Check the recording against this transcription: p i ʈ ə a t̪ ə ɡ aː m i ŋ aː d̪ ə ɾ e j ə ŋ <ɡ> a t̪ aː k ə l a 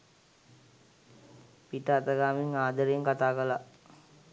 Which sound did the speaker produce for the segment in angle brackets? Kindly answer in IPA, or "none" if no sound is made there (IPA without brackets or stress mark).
k